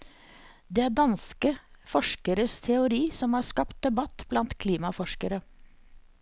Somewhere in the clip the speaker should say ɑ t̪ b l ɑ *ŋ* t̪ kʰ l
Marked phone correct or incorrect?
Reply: incorrect: n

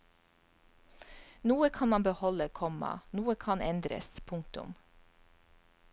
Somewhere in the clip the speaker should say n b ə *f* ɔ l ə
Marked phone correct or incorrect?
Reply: incorrect: h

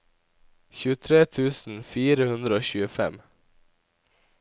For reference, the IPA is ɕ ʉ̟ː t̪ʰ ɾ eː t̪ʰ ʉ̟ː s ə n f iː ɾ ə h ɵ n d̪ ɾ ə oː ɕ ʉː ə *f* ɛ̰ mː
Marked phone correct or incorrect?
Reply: correct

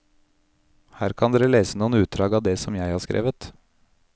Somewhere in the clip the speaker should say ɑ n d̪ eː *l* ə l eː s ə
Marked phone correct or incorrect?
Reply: incorrect: ɾ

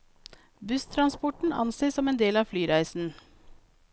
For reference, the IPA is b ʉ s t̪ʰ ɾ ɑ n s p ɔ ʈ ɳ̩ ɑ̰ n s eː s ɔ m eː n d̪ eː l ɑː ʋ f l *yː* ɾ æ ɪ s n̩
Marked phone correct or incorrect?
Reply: correct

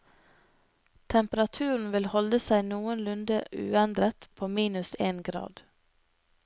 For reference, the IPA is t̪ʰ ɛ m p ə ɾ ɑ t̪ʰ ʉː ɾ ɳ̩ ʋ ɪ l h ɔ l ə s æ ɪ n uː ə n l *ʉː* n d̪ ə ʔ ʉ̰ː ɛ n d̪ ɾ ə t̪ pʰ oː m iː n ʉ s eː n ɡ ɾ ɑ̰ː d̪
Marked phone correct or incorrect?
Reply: incorrect: ʉ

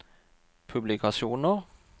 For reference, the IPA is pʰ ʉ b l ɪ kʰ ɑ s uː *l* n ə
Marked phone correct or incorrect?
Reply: incorrect: none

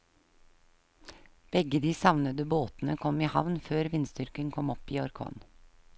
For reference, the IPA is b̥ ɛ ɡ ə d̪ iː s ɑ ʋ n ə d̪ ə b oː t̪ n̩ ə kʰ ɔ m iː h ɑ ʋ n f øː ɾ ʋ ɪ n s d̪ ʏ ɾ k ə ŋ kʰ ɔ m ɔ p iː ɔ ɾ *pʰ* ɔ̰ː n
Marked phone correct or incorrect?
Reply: incorrect: kʰ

